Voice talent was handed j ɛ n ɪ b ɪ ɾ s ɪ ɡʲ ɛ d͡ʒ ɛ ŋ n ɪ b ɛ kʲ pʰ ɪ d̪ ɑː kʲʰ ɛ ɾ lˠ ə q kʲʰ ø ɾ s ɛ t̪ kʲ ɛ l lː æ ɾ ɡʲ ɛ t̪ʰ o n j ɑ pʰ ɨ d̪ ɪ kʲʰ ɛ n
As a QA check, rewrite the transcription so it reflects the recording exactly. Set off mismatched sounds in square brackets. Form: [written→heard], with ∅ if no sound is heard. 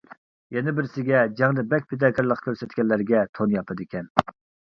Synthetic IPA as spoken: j ɛ n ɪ b ɪ ɾ s ɪ ɡʲ ɛ d͡ʒ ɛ ŋ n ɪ b ɛ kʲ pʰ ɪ d̪ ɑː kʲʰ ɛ ɾ lˠ ə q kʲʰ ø ɾ s ɛ t̪ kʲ ɛ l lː æ ɾ ɡʲ ɛ t̪ʰ o n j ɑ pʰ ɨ d̪ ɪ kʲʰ ɛ n